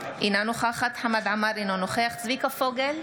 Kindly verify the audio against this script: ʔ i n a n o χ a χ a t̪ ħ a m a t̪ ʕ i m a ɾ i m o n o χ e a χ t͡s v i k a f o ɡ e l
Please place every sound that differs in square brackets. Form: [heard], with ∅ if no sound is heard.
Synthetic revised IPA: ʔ i n a n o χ a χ a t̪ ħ a m a [d̪] ʕ [a] m a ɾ i [n] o n o χ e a χ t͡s v i k a f o ɡ e l